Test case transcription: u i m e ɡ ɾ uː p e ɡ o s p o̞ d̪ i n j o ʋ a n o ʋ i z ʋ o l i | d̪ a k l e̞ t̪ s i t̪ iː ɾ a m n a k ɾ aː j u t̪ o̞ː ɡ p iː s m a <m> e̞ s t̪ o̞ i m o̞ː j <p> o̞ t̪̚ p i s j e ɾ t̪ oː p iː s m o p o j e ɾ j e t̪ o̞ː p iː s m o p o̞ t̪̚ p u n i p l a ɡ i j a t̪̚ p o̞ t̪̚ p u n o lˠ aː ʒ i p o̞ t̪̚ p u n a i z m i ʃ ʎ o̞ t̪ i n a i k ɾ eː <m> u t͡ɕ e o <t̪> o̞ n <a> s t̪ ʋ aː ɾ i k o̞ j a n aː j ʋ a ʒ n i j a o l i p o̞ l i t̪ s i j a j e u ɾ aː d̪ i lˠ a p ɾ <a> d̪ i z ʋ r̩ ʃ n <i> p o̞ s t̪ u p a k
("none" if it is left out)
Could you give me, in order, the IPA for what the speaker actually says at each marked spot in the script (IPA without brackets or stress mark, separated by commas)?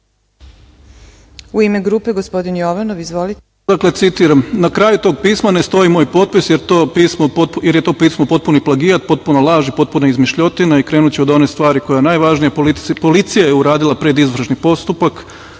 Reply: n, p, n, d̪, e, e, i